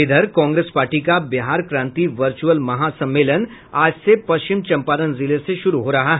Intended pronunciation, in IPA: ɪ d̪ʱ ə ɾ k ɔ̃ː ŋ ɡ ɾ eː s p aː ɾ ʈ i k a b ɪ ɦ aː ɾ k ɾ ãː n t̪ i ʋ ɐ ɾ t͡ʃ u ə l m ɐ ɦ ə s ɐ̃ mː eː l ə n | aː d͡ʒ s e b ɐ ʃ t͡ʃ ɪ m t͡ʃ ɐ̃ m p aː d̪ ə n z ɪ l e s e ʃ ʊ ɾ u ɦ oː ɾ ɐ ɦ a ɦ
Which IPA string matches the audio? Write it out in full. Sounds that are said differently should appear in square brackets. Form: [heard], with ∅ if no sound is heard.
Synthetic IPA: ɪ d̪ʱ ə ɾ k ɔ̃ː ŋ ɡ ɾ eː s p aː ɾ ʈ i k a b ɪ ɦ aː ɾ k ɾ ãː n t̪ i ʋ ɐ ɾ t͡ʃ u ə l m ɐ ɦ [a] s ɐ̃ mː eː l ə n | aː d͡ʒ s e [p] ɐ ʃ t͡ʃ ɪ m t͡ʃ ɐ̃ m p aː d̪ ə n z ɪ l e s e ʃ ʊ ɾ u ɦ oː ɾ ɐ ɦ a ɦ